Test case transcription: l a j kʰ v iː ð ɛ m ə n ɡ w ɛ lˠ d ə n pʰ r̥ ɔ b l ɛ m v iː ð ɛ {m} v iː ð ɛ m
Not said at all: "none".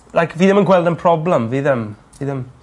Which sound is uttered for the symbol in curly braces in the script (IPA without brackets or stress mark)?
m